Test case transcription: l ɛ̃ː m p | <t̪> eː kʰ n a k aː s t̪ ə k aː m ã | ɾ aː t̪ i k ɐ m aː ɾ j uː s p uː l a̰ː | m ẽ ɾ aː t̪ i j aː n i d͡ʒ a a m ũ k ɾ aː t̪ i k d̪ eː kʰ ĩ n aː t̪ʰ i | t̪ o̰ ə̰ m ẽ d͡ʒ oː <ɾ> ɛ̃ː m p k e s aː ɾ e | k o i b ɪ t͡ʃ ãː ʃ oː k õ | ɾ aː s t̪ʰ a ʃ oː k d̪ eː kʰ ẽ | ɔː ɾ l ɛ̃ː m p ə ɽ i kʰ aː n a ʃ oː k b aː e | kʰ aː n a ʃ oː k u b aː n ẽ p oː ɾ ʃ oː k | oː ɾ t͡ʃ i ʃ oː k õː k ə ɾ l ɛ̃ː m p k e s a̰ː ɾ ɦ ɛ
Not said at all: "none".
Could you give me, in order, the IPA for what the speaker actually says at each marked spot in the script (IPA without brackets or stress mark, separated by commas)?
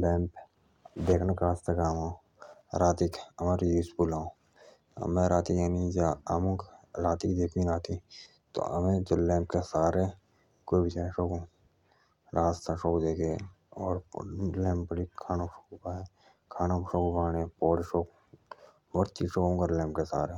d̪, l